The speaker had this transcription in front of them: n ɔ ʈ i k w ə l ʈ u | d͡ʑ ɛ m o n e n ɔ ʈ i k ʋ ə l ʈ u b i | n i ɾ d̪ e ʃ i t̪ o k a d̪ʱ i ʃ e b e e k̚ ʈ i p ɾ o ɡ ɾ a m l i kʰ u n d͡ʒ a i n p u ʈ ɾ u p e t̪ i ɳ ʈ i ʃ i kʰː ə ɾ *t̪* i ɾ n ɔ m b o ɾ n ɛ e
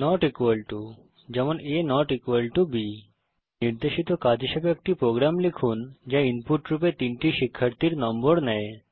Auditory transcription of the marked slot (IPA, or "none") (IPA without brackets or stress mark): t̪